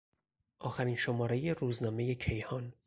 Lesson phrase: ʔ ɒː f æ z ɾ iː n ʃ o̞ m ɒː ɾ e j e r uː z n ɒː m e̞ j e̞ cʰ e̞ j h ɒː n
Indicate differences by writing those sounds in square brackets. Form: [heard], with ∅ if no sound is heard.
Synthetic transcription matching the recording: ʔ ɒː [x] æ [∅] ɾ iː n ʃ o̞ m ɒː ɾ e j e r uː z n ɒː m e̞ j e̞ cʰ e̞ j h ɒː n